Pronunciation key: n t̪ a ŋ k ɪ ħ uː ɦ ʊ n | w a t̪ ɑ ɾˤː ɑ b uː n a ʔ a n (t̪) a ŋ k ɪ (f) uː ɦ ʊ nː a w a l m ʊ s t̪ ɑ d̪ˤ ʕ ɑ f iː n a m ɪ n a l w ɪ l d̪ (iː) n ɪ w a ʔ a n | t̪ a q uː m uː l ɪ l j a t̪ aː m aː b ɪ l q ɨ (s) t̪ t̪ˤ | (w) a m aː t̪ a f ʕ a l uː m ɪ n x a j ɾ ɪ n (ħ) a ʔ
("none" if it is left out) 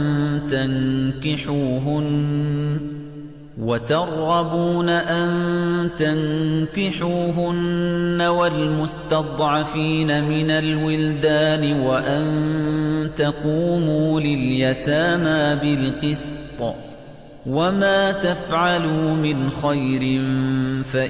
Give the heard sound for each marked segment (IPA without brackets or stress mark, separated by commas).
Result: t̪, ħ, aː, s, w, f